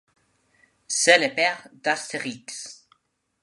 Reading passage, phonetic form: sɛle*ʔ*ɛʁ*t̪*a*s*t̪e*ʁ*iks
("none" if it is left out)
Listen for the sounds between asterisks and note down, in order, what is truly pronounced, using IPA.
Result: p, d̪, s, ʁ

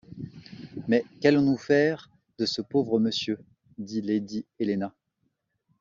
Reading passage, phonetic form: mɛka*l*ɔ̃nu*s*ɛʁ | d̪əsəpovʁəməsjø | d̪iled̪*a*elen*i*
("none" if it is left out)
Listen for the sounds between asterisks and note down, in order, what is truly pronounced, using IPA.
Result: l, f, i, a

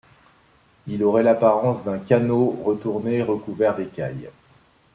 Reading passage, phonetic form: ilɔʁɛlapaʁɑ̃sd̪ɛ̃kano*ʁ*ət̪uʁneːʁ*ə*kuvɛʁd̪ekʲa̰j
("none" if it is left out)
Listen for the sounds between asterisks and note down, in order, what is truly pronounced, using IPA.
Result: ʁ, ə

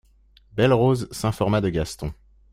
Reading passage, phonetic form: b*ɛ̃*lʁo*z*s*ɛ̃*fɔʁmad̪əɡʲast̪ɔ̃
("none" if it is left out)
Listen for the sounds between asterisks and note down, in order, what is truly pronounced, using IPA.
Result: ɛ, z, ɛ̃

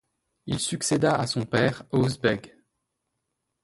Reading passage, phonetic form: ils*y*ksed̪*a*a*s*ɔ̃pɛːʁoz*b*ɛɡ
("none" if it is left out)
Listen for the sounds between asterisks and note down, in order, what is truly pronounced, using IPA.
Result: y, a, s, b

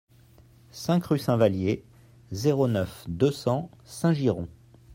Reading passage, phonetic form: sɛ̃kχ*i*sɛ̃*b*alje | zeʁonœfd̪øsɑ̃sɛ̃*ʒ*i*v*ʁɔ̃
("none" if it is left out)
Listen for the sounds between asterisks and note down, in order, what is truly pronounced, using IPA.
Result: y, v, ʒ, none

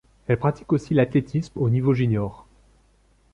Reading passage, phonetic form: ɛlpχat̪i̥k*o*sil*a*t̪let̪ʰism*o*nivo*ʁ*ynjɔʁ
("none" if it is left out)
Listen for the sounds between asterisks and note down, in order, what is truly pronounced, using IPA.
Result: o, a, o, ʒ

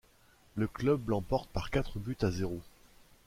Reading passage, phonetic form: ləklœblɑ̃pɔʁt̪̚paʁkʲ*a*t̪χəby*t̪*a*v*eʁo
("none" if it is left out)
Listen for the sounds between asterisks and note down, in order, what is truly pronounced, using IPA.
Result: a, t̪, z

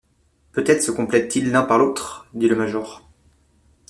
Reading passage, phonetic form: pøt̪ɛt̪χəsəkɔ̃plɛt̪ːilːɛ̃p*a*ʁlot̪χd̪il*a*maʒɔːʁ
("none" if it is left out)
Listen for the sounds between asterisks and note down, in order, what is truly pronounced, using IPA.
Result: a, ə

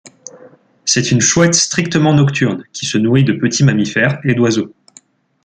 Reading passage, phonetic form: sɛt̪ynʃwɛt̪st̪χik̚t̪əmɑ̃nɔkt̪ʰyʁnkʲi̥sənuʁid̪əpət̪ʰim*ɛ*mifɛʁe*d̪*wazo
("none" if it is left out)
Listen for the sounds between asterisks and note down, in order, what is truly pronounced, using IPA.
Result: a, d̪

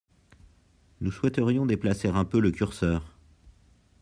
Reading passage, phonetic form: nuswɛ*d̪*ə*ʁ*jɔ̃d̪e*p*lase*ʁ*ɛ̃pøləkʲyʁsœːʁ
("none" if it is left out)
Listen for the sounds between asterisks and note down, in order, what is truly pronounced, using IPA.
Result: t̪, ʁ, p, ʁ

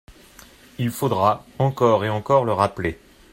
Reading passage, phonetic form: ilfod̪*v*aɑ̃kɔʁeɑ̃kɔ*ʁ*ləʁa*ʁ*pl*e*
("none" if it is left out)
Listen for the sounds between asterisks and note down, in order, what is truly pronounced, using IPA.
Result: ʁ, ʁ, none, e

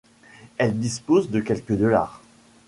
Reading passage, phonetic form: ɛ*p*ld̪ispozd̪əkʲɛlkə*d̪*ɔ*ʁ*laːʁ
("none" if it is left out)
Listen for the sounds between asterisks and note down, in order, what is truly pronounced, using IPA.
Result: none, d̪, none

